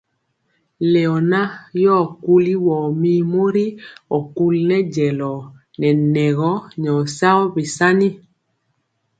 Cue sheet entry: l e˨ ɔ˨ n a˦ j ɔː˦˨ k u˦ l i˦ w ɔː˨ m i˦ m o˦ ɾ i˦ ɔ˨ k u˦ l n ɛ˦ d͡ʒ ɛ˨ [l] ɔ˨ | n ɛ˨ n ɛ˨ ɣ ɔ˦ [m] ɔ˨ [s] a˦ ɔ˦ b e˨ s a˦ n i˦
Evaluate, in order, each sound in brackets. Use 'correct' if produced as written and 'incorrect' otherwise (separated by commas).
correct, incorrect, correct